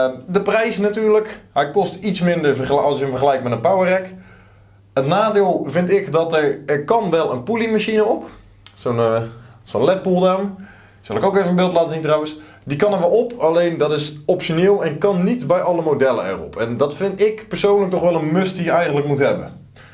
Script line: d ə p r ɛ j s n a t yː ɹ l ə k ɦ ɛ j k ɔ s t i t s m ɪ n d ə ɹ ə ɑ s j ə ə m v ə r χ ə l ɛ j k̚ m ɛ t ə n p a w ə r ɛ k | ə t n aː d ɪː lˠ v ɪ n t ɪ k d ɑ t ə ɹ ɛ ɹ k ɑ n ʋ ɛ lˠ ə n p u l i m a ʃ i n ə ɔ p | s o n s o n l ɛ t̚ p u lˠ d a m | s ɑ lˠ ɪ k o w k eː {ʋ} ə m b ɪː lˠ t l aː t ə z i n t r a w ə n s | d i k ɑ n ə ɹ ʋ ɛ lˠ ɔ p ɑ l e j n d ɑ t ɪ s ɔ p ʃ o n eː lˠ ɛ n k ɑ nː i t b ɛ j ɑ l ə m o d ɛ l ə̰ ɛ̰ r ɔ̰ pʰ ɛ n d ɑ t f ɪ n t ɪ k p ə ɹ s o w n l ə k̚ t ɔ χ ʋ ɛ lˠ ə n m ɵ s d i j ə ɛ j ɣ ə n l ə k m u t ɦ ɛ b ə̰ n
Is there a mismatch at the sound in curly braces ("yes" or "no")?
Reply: yes